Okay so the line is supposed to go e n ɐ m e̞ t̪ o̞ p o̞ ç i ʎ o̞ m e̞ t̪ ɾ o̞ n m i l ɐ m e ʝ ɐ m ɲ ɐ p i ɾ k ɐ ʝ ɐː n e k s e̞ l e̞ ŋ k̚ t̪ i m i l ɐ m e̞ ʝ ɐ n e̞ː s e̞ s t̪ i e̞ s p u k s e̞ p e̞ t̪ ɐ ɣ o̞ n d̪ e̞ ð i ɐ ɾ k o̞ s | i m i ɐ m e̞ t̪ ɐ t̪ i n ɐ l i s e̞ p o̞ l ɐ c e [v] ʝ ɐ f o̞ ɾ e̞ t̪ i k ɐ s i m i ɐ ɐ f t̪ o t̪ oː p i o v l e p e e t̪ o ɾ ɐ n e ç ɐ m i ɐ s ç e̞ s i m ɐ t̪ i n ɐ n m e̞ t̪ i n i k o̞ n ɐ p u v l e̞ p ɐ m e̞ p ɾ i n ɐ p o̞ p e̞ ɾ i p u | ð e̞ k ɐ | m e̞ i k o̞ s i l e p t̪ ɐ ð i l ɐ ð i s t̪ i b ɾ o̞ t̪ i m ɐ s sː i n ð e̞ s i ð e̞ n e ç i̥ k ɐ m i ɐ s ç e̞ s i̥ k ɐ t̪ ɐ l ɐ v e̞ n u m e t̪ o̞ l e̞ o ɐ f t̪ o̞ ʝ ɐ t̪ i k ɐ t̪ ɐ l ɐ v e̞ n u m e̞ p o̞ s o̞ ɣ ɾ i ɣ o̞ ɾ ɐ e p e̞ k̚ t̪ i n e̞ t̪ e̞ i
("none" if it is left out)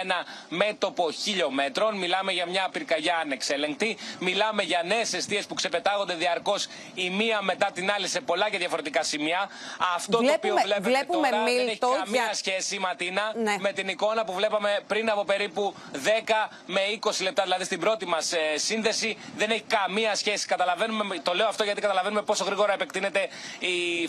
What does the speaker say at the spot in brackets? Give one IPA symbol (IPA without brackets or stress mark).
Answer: ð